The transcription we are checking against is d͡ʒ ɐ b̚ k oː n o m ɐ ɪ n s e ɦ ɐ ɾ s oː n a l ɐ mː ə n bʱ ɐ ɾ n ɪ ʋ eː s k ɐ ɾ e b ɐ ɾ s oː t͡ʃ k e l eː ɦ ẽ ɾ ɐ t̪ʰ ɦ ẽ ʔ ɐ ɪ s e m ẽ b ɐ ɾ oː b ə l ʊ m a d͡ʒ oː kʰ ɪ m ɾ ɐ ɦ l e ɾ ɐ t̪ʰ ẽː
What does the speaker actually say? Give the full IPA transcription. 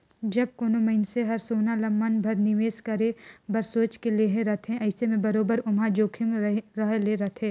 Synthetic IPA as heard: d͡ʒ ɐ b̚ k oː n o m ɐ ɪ n s e ɦ ɐ ɾ s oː n a l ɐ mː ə n bʱ ɐ ɾ n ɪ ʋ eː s k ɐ ɾ e b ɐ ɾ s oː t͡ʃ k e l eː ɦ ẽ ɾ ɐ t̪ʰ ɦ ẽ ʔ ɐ ɪ s e m ẽ b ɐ ɾ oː b ə ɾ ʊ m a d͡ʒ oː kʰ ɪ m ɾ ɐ ɦ l e ɾ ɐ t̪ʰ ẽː